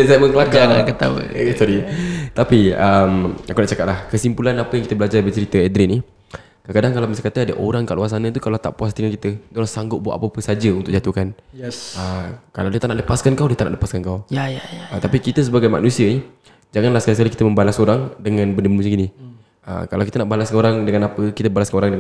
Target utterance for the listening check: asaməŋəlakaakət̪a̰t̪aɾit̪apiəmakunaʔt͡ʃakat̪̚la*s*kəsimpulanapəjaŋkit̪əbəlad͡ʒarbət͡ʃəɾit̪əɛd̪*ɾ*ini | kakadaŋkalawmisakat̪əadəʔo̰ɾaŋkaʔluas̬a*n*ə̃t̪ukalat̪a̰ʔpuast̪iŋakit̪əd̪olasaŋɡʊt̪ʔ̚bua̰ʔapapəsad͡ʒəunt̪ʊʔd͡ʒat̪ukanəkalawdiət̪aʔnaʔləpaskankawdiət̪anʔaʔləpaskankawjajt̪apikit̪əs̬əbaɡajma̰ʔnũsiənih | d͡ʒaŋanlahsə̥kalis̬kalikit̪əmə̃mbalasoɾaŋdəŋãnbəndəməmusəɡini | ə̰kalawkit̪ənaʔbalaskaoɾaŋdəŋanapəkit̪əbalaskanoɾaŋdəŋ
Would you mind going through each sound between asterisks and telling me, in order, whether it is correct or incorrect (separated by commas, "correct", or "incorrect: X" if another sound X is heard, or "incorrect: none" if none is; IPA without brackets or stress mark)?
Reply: incorrect: h, correct, correct